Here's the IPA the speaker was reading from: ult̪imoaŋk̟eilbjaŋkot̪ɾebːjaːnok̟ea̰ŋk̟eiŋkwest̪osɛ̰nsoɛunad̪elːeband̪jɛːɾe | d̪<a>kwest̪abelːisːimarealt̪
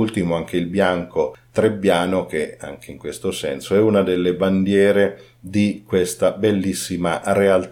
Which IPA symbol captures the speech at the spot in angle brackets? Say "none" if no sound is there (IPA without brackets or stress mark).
i